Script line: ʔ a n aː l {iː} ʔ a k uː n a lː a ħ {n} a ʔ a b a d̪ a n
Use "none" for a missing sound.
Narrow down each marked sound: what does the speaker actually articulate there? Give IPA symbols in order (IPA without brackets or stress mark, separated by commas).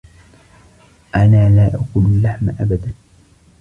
aː, m